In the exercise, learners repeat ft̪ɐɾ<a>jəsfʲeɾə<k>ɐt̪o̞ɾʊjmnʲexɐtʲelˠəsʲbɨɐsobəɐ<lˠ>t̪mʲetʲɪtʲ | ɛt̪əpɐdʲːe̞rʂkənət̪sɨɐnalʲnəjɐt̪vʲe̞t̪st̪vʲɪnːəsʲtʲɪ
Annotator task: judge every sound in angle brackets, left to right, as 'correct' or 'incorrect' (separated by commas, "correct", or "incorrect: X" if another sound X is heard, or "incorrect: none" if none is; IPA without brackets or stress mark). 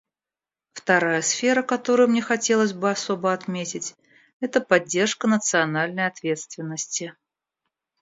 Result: correct, correct, incorrect: none